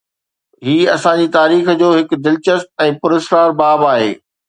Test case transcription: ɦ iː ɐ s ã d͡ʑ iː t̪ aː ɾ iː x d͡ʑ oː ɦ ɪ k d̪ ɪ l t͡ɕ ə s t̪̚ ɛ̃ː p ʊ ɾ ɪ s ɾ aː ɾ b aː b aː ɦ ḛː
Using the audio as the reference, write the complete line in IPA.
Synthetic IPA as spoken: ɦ iː ɐ s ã d͡ʑ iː t̪ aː ɾ iː x d͡ʑ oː ɦ ɪ k d̪ ɪ l t͡ɕ ə s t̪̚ ɛ̃ː p ʊ ɾ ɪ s ɾ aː ɾ b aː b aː ɦ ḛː

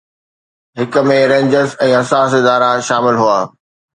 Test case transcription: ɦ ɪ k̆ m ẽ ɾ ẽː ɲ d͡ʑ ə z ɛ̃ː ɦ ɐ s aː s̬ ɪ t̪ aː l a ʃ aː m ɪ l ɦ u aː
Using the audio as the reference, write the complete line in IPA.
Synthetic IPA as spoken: ɦ ɪ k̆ m ẽ ɾ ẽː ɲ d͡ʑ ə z ɛ̃ː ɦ ɐ s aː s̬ ɪ d̪ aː ɾ a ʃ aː m ɪ l ɦ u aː

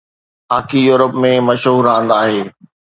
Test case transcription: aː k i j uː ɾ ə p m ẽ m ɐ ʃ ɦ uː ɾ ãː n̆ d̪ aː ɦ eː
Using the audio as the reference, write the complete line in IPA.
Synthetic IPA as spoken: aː k i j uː ɾ ə p m ẽ m ɐ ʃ ɦ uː ɾ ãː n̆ d̪ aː ɦ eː

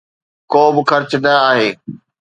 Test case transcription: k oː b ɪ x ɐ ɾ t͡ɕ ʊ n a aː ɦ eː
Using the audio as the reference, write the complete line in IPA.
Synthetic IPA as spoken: k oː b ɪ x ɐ ɾ t͡ɕ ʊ n ɐ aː ɦ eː

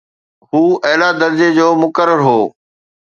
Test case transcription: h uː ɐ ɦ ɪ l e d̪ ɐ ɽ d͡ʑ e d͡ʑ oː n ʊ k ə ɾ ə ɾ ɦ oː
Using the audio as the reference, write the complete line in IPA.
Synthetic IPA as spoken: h uː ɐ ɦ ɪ l a d̪ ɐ ɾ d͡ʑ e d͡ʑ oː m ʊ k ə ɾ ə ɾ ɦ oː

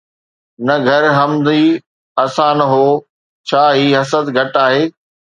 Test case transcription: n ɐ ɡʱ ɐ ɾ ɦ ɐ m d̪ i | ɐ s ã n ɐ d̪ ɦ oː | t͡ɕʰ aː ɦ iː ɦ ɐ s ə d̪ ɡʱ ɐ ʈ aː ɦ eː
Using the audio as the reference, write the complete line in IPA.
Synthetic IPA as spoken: n ɐ ɡʱ ɐ ɾ ɦ ɐ m d̪ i | ɐ s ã n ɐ ɦ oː | t͡ɕʰ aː ɦ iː ɦ ɐ s ə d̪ ɡʱ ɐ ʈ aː ɦ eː

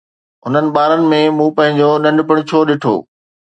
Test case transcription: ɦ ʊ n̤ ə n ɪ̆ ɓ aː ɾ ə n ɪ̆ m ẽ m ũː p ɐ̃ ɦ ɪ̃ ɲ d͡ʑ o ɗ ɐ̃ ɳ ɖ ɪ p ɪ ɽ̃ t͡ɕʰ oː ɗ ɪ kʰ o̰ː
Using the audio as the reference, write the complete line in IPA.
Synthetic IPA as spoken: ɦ ʊ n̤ ə n ɪ̆ ɓ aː ɾ ə n ɪ̆ m ẽ m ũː p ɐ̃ ɦ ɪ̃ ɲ d͡ʑ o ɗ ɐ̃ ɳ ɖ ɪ p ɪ ɽ̃ t͡ɕʰ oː ɗ ɪ ʈʰ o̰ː

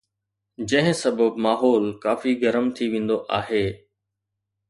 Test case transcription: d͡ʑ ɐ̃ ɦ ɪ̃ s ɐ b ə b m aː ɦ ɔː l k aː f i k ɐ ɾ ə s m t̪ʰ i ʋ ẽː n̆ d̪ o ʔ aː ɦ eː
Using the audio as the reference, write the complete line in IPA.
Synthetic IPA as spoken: d͡ʑ ɐ̃ ɦ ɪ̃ s ɐ b ə b m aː ɦ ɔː l k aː f i ɡ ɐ ɾ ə m t̪ʰ i ʋ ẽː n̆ d̪ o ʔ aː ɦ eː

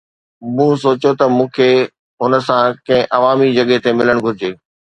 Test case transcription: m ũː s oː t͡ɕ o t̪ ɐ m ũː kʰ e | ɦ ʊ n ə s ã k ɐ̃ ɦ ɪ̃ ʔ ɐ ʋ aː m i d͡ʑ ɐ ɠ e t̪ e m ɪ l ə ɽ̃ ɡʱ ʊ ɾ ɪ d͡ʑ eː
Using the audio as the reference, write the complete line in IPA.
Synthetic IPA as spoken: m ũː s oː t͡ɕ o t̪ ɐ m ũː kʰ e | ɦ ʊ n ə s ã k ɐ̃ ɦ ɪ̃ ʔ ɐ ʋ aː m i d͡ʑ ɐ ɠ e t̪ e m ɪ l ə ɽ̃ ɡʱ ʊ ɾ ɪ d͡ʑ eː

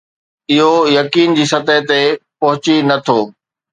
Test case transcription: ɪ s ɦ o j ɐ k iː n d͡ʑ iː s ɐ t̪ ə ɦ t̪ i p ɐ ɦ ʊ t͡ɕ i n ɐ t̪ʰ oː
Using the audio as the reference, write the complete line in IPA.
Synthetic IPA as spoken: ɪ ɦ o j ɐ k iː n d͡ʑ iː s ɐ t̪ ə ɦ t̪ e p ɐ ɦ ʊ t͡ɕ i n ɐ t̪ʰ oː

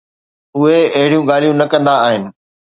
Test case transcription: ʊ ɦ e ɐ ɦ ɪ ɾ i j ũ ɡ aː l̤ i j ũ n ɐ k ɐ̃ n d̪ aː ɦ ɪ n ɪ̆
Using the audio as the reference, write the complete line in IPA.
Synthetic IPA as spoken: ʊ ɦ e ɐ ɦ ɪ ɽ i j ũ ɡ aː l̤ i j ũ n ɐ k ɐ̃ n d̪ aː ɦ ɪ n ɪ̆

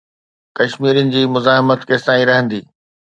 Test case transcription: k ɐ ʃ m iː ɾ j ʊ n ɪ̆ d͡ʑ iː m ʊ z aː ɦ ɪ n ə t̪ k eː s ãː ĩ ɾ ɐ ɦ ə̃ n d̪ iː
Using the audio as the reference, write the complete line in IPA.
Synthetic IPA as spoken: k ɐ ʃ m iː ɾ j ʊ n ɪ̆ d͡ʑ iː m ʊ z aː ɦ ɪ m ə t̪ k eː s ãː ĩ ɾ ɐ ɦ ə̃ n d̪ iː

